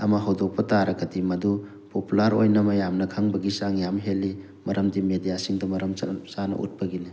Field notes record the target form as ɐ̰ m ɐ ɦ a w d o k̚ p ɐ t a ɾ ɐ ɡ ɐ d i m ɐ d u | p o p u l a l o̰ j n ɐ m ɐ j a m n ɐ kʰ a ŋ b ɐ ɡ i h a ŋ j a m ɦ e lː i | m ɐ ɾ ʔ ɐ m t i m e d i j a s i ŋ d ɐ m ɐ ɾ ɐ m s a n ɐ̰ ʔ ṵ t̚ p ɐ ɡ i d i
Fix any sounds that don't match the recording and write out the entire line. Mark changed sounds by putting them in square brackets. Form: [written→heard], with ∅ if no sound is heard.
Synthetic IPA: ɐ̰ m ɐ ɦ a w d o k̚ p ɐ t a ɾ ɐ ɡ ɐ d i m ɐ d u | p o p u l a [l→ɾ] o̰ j n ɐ m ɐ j a m n ɐ kʰ a ŋ b ɐ ɡ i [h→s] a ŋ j a m ɦ e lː i | m ɐ ɾ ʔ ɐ m [t→d] i m e d i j a s i ŋ d ɐ m ɐ ɾ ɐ m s a n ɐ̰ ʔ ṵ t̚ p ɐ ɡ i [d→n] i